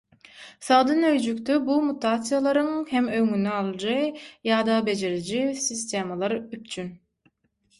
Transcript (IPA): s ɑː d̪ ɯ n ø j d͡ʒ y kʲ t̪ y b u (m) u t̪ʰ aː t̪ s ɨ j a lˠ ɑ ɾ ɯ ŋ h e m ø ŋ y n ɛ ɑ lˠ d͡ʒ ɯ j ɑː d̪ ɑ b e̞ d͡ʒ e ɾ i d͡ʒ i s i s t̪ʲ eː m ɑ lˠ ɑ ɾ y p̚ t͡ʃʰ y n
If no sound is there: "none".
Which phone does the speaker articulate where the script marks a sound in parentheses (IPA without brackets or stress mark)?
m